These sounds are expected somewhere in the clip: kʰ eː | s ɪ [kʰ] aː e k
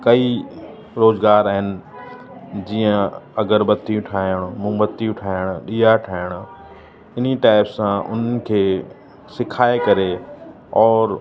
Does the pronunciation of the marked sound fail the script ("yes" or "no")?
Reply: no